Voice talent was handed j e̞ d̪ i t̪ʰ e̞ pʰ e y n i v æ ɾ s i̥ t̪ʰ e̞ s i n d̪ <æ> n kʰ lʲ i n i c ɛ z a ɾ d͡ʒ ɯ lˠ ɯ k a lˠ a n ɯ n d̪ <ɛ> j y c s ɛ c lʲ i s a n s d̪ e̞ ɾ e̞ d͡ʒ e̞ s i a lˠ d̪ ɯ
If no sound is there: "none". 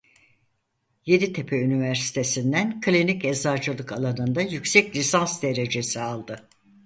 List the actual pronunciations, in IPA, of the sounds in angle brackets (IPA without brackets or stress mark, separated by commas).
æ, a